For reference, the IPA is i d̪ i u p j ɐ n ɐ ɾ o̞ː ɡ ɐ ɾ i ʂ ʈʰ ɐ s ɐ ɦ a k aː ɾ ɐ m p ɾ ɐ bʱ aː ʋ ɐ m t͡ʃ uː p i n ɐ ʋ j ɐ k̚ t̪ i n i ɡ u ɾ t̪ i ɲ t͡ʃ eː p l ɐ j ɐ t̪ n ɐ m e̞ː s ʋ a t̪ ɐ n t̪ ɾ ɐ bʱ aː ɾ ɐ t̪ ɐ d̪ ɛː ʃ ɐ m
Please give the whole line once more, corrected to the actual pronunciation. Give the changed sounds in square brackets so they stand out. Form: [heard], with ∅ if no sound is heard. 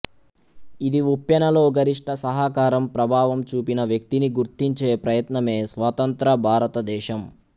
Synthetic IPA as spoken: i d̪ i u p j ɐ n ɐ [l] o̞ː ɡ ɐ ɾ i ʂ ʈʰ ɐ s ɐ ɦ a k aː ɾ ɐ m p ɾ ɐ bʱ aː ʋ ɐ m t͡ʃ uː p i n ɐ ʋ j ɐ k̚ t̪ i n i ɡ u ɾ t̪ i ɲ t͡ʃ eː p [ɾ] ɐ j ɐ t̪ n ɐ m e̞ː s ʋ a t̪ ɐ n t̪ ɾ ɐ bʱ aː ɾ ɐ t̪ ɐ d̪ ɛː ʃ ɐ m